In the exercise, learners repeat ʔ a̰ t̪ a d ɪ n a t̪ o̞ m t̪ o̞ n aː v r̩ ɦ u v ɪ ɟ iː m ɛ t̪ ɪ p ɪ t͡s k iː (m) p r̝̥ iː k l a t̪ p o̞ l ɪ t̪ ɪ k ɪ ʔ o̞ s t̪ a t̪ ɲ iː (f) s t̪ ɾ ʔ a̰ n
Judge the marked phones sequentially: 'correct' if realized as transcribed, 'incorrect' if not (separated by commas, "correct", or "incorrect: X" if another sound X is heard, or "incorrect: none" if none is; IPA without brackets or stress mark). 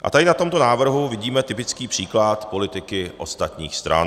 incorrect: none, incorrect: x